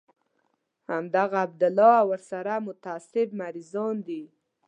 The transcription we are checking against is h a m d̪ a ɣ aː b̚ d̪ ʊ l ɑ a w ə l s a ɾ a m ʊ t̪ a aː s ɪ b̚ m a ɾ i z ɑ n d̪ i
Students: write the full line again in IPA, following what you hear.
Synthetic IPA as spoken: h a m d̪ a ɣ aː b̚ d̪ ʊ l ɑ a w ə ɾ s a ɾ a m ʊ t̪ a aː s ɪ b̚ m a ɾ i z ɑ n d̪ i